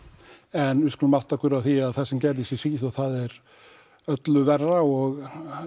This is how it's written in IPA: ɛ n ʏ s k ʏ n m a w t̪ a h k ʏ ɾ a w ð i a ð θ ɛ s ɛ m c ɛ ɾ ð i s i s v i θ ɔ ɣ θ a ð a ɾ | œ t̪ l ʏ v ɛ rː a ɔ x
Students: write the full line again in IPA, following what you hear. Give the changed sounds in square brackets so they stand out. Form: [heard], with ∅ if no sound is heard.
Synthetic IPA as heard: ɛ n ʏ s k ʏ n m a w t̪ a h k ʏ ɾ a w [θ] i a ð θ ɛ s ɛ m c ɛ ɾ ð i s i s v i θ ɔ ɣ θ a ð [ɛ] ɾ | œ t̪ l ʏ v ɛ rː a ɔ [ɣ]